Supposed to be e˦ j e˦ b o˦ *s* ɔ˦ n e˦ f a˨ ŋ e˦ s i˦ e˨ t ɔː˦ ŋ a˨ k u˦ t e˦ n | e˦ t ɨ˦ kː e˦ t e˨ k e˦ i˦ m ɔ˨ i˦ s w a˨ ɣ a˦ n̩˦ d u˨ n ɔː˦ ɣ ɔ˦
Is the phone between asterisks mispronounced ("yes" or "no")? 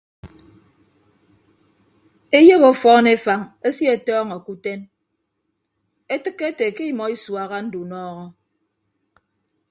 yes